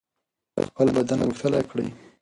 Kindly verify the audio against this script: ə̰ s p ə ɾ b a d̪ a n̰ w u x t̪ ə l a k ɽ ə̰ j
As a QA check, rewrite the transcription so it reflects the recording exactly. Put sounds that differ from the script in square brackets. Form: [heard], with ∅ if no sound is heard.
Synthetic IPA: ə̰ [x] p ə [l] b a d̪ a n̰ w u x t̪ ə l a k ɽ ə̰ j